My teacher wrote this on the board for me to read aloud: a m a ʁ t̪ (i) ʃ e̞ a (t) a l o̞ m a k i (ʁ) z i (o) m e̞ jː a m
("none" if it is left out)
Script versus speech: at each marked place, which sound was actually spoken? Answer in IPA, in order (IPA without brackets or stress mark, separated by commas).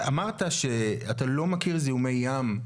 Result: a, t, ʁ, u